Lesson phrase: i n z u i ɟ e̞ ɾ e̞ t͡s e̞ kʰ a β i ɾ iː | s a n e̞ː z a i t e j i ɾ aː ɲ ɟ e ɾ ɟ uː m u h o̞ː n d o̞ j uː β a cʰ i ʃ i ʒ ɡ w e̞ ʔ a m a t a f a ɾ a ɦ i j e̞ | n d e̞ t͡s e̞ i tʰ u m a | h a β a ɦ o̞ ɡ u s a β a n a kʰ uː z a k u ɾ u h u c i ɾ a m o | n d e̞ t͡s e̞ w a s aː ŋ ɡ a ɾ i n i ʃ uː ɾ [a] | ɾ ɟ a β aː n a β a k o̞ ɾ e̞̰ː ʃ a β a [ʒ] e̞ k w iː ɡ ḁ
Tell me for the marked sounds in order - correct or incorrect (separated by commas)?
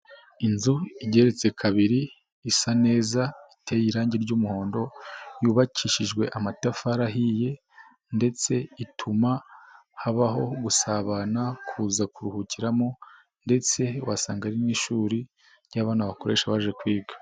incorrect, correct